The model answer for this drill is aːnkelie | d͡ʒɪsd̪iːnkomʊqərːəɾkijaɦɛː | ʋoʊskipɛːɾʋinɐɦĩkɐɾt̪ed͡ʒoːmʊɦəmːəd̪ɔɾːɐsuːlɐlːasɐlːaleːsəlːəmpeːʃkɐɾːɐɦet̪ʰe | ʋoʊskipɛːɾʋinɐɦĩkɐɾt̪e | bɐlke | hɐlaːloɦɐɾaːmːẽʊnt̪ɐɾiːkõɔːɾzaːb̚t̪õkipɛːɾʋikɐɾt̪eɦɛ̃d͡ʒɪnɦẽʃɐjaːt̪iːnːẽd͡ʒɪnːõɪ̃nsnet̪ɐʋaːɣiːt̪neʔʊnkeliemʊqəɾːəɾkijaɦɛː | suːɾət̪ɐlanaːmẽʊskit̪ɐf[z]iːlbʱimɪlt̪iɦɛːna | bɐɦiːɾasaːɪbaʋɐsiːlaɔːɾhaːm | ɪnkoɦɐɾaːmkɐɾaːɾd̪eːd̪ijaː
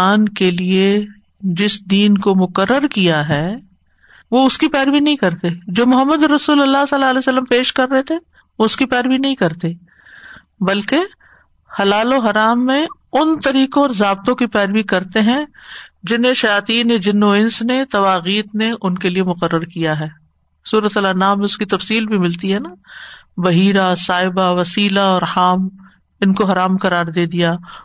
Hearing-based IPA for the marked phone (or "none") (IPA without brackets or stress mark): s